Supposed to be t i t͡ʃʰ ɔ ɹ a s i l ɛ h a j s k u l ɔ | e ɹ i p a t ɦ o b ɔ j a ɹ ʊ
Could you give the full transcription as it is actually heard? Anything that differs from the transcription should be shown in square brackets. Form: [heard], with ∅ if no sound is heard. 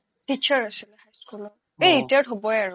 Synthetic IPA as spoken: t i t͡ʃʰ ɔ ɹ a s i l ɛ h a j s k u l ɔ | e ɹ i [t] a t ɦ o b ɔ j a ɹ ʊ